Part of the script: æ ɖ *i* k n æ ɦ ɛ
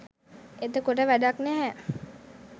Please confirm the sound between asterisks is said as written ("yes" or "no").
no